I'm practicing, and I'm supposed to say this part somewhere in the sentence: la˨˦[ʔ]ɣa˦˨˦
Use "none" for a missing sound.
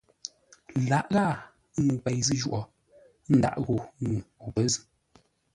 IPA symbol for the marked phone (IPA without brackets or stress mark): ʔ